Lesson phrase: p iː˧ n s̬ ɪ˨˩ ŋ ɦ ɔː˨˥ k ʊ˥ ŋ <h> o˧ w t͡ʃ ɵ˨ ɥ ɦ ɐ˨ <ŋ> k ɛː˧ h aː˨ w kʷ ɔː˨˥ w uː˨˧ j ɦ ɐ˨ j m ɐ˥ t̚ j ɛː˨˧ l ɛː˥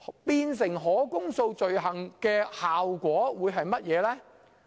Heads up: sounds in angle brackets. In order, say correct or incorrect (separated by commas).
incorrect, correct